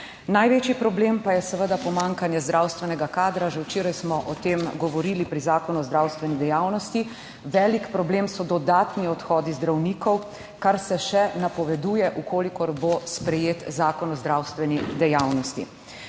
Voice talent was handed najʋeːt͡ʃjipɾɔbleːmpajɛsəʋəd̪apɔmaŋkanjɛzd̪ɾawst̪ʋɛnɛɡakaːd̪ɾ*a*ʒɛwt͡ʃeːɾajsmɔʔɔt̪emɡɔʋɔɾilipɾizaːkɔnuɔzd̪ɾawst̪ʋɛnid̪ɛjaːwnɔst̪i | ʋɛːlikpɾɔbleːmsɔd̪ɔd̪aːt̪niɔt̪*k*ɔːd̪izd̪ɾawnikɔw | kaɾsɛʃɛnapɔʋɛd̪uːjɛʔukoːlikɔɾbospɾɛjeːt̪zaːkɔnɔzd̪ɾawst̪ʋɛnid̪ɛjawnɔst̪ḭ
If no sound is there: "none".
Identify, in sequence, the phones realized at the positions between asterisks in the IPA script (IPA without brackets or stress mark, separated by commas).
a, x